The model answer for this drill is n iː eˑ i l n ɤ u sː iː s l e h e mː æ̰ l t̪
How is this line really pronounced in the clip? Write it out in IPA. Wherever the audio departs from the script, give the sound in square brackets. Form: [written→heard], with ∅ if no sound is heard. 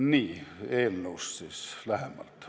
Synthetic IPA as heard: n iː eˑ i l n [ɤ→o] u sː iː s l [e→æ] h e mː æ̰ l t̪